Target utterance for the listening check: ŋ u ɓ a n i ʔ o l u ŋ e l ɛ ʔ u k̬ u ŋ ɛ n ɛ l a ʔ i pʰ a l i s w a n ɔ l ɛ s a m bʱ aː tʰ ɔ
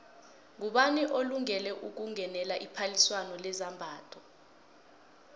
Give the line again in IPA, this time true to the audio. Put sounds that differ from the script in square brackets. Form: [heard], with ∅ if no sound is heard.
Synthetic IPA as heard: ŋ u ɓ a n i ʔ o l u ŋ [ɛ] l ɛ ʔ u k̬ u ŋ ɛ n ɛ l a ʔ i pʰ a l i s w a n ɔ l ɛ [z] a m bʱ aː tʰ ɔ